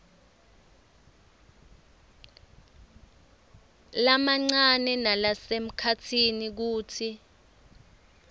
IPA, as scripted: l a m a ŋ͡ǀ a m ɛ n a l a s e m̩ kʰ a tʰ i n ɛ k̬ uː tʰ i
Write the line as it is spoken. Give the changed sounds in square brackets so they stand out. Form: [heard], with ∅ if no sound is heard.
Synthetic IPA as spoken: l a m a ŋ͡ǀ a [n] ɛ n a l a s e m̩ kʰ a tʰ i n [i] k̬ uː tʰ i

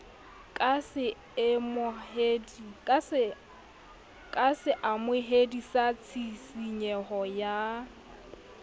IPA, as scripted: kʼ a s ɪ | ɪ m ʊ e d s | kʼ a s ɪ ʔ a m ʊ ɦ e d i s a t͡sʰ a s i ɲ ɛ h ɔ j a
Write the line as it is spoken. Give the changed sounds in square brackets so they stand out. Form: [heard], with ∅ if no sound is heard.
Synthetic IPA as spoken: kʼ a s ɪ | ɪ m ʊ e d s | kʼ a s ɪ ʔ a m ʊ ɦ e d i s a t͡sʰ [i] s i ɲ ɛ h ɔ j a

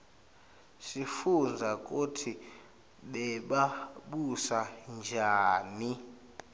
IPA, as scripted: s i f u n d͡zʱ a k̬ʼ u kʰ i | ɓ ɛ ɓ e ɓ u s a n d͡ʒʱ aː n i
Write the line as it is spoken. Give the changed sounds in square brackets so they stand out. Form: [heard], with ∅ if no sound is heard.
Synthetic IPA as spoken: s i f u n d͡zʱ a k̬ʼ u [tʰ] i | ɓ ɛ ɓ [a] ɓ u s a n d͡ʒʱ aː n i

